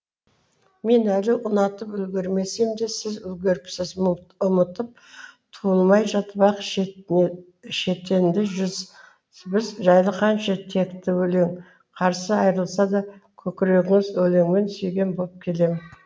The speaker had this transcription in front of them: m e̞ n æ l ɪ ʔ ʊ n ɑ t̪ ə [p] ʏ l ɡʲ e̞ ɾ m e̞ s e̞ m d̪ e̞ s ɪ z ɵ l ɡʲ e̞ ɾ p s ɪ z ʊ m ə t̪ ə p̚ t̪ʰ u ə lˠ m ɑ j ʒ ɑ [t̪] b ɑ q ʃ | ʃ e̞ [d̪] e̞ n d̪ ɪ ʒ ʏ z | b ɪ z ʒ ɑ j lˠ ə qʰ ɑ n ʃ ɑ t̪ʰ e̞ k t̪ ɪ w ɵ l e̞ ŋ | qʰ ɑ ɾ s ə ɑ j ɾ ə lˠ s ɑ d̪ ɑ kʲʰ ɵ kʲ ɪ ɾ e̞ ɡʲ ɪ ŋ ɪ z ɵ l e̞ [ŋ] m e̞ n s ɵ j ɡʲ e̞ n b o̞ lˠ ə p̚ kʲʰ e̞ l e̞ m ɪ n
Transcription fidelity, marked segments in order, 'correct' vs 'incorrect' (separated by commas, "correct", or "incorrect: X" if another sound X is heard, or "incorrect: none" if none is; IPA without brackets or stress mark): correct, correct, incorrect: t̪, correct